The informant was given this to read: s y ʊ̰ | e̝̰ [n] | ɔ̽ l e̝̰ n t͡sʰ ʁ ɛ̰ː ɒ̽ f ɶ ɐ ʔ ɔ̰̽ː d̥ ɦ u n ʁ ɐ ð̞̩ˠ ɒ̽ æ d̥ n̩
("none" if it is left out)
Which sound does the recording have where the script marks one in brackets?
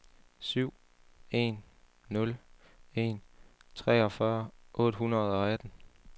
nː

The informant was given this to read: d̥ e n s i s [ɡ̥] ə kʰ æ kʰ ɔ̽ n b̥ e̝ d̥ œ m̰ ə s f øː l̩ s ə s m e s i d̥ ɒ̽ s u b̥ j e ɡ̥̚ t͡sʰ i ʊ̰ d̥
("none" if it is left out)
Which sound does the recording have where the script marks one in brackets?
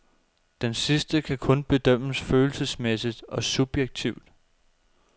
d̥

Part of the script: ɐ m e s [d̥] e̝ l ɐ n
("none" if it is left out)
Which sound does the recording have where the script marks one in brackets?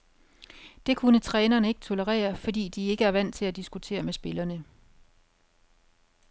b̥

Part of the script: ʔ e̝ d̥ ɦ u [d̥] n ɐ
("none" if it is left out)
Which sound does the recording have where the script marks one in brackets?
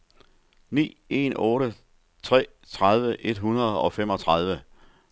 none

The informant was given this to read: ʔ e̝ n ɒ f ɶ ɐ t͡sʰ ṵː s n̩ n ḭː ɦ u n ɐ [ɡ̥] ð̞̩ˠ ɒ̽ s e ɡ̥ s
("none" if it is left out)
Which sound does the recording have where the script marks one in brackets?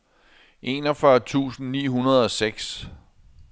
none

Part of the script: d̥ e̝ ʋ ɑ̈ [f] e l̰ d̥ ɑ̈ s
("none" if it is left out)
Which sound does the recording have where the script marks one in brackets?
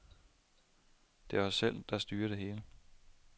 s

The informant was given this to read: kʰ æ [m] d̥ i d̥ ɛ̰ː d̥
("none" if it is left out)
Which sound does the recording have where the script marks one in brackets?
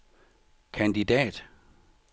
n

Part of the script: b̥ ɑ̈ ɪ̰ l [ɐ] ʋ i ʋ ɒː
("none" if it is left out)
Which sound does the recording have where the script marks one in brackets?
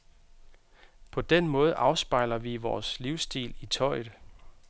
ɐ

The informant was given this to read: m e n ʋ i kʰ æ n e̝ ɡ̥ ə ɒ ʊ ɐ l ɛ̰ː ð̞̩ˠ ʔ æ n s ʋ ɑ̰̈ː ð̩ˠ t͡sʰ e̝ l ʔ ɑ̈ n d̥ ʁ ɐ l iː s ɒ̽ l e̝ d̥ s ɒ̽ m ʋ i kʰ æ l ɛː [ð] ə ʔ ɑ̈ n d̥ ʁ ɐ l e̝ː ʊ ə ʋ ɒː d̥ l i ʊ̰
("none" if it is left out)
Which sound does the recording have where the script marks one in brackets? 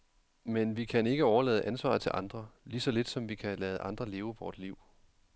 ð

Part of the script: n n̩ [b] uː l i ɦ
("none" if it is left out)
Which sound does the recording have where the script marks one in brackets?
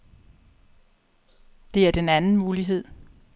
m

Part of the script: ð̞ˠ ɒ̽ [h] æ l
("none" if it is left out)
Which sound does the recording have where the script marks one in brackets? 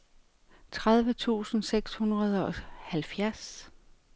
h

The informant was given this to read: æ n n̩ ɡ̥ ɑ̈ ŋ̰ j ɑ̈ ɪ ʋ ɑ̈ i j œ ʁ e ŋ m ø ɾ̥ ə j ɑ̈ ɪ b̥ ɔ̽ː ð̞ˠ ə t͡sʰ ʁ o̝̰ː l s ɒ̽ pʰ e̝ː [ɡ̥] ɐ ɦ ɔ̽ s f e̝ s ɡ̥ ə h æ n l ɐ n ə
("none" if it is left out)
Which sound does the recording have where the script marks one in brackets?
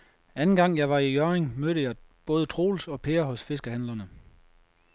none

